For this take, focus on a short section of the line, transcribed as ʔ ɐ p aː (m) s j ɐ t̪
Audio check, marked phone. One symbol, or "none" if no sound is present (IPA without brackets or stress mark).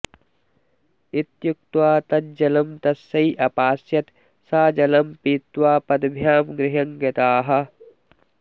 none